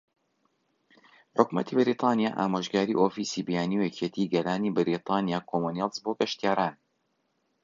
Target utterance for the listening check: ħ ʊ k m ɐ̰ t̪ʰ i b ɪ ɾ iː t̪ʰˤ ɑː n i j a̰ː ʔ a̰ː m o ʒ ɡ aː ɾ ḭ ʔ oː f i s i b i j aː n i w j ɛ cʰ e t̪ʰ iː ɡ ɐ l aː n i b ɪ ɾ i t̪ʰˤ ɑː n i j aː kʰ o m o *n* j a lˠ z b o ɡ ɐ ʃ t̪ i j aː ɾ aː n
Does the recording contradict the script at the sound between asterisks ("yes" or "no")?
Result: no